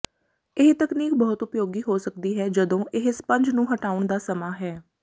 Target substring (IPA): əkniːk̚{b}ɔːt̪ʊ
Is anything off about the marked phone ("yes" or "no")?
no